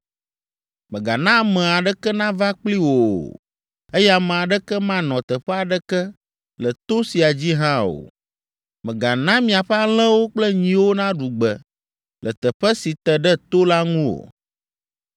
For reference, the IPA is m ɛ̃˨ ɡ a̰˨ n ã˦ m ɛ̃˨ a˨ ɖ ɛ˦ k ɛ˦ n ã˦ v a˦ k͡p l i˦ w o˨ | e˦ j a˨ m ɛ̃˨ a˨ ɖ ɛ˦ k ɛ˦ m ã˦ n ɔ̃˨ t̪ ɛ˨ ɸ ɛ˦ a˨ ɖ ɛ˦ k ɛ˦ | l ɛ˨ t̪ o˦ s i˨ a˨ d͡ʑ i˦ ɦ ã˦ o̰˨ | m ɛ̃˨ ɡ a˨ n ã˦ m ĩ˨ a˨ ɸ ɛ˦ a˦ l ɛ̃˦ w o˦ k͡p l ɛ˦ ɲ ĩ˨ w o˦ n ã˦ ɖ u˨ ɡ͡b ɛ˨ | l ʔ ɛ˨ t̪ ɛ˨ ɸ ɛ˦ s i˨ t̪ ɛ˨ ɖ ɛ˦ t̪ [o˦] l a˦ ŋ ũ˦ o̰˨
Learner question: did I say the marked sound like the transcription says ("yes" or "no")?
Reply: yes